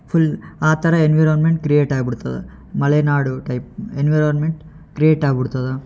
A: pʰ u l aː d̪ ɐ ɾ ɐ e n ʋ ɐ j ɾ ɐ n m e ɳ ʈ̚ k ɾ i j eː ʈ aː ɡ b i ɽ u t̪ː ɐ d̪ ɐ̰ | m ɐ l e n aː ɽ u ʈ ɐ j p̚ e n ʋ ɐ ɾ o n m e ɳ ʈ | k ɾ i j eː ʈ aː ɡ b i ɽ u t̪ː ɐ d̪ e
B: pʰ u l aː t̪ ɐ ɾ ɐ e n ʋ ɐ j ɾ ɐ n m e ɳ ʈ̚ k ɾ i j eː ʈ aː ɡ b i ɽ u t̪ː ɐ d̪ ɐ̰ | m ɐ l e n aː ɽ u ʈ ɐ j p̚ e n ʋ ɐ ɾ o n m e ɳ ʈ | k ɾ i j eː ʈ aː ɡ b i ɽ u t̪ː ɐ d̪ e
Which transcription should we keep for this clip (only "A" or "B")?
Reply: B